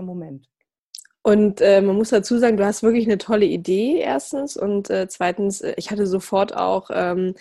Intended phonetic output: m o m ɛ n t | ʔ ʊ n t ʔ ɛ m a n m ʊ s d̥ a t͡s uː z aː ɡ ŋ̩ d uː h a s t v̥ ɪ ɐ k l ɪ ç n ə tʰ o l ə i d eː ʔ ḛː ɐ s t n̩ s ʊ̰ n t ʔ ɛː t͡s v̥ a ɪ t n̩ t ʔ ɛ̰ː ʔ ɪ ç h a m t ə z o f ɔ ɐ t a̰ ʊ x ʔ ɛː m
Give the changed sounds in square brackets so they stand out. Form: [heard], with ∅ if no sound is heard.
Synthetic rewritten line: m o m ɛ n t | ʔ ʊ n t ʔ [ɛː] m a n m ʊ s d̥ a t͡s uː z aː ɡ ŋ̩ d uː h a s t v̥ ɪ ɐ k l ɪ ç n ə tʰ [ɔ] l ə i d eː ʔ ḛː ɐ s t n̩ s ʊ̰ n t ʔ ɛː t͡s v̥ a ɪ t n̩ [s] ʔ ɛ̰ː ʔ ɪ ç h a [∅] t ə z o f ɔ ɐ t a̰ ʊ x ʔ ɛː m